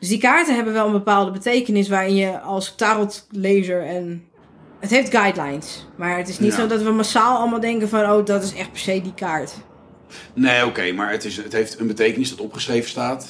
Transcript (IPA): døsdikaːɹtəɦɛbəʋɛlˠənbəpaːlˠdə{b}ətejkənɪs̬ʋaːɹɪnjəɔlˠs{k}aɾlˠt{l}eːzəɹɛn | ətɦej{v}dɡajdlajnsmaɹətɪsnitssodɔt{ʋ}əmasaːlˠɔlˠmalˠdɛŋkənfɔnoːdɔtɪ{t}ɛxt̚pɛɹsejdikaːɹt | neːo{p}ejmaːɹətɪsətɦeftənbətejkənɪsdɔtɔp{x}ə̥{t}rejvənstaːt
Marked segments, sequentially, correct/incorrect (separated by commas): correct, incorrect, correct, incorrect, correct, incorrect, incorrect, incorrect, incorrect